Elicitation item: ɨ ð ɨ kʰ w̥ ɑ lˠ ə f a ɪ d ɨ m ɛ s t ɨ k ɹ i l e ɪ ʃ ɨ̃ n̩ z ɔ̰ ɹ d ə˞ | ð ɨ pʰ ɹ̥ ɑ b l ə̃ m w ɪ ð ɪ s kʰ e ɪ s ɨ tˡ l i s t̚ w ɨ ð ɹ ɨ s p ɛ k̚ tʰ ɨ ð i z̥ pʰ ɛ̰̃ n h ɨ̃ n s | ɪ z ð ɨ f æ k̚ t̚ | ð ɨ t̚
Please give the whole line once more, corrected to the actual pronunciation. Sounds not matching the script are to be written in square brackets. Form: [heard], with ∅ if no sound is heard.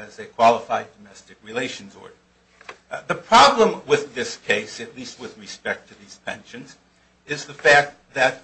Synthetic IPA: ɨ [z] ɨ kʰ w̥ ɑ lˠ ə f a ɪ d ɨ m ɛ s t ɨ k ɹ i l e ɪ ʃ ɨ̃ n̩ z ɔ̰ ɹ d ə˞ | ð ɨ pʰ ɹ̥ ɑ b l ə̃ m w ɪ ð ɪ s kʰ e ɪ s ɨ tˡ l i s t̚ w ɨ ð ɹ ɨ s p ɛ k̚ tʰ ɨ ð i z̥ pʰ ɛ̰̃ n [ʃ] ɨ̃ n [z] | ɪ z ð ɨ f æ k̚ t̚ | ð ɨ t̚